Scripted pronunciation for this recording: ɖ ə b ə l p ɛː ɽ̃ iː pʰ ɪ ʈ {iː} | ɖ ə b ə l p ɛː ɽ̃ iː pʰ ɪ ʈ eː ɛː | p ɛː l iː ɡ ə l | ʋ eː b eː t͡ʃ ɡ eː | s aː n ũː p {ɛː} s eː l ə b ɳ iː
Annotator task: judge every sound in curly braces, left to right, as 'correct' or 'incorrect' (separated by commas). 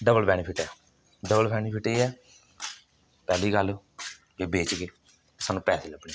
incorrect, correct